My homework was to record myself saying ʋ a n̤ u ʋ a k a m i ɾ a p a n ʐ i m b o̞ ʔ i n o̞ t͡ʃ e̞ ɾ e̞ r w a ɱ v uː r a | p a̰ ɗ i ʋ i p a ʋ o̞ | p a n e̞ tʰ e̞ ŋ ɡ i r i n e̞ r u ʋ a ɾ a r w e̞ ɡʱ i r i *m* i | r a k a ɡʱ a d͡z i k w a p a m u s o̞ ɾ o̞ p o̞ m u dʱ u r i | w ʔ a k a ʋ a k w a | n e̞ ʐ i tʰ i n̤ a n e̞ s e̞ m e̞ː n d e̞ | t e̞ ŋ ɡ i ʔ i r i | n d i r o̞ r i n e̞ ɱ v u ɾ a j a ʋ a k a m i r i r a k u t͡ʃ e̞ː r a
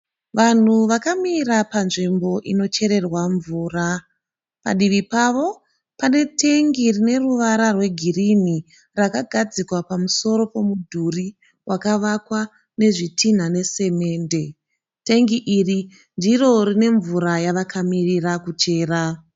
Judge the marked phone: incorrect: n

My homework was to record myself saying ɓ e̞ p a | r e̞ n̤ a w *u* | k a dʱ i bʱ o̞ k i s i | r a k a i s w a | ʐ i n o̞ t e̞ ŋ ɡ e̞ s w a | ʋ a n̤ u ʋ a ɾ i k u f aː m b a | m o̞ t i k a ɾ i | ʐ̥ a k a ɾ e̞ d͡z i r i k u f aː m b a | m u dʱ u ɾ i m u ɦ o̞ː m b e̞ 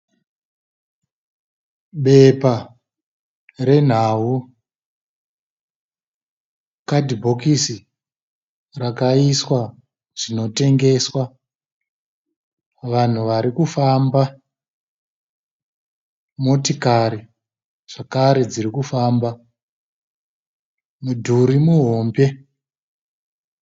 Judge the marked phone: correct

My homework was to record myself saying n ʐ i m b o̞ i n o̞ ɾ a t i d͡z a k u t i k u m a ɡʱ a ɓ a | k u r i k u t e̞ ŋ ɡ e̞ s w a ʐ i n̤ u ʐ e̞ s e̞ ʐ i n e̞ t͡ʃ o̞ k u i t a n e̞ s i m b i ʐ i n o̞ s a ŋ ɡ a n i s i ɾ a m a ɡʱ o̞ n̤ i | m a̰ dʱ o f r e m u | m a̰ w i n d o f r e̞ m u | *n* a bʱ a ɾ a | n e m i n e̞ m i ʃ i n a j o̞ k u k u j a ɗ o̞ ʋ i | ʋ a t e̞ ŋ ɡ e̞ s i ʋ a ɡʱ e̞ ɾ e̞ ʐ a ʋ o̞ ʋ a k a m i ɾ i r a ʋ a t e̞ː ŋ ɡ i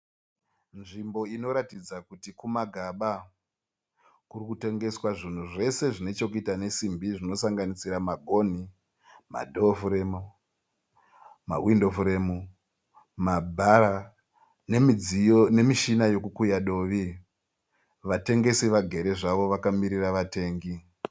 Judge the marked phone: incorrect: m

